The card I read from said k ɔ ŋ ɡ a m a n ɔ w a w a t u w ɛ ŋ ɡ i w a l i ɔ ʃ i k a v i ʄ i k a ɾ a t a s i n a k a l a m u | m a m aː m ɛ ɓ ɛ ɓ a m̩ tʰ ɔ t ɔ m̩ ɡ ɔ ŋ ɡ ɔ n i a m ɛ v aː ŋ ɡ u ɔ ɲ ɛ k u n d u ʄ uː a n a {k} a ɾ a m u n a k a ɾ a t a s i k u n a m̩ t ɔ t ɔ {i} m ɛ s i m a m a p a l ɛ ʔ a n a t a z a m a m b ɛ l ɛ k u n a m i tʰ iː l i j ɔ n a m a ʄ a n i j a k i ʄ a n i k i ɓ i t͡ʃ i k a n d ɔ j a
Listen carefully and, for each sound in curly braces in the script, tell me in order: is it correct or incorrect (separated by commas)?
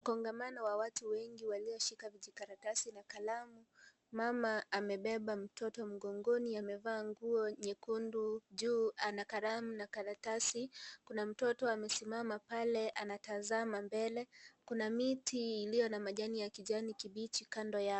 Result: correct, incorrect